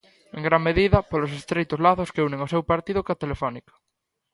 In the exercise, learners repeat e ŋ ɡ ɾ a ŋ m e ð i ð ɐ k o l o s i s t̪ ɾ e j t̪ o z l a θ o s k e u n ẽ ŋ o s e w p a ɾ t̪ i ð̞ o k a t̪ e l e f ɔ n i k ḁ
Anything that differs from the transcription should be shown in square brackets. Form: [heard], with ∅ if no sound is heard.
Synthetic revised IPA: e ŋ ɡ ɾ a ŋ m e ð i ð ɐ [p] o l o s [e] s t̪ ɾ e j t̪ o z l a θ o s k e u n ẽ ŋ o s e w p a ɾ t̪ i ð̞ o k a t̪ e l e f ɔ n i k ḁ